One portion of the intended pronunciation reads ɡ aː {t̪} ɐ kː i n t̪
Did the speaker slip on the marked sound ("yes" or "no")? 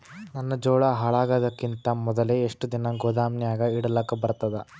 yes